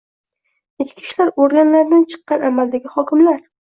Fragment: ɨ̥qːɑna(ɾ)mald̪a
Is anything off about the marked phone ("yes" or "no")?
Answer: yes